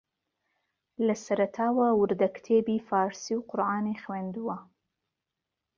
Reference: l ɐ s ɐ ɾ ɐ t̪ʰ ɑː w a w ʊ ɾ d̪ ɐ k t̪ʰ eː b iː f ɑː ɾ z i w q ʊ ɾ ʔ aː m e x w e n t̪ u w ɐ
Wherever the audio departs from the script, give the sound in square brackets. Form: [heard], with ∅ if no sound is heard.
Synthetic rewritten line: l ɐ s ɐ ɾ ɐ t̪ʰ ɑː w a w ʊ ɾ d̪ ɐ k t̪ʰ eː b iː f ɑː ɾ [s] i w q ʊ ɾ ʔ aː [n] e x w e n [d̪] u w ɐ